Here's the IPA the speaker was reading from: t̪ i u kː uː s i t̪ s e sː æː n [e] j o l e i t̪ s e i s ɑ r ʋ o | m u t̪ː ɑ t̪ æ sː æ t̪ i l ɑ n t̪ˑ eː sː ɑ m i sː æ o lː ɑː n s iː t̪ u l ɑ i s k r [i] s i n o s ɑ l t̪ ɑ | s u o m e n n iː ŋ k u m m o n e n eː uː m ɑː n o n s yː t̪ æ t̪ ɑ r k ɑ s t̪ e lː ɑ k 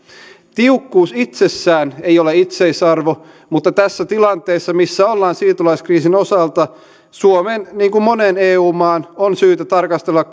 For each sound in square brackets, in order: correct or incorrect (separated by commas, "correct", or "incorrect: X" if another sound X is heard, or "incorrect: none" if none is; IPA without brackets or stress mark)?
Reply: correct, incorrect: iː